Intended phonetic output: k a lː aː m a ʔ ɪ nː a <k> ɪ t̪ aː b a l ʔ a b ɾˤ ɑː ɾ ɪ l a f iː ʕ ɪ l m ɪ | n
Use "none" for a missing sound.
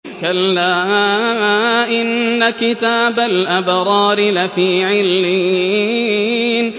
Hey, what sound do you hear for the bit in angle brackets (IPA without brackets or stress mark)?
k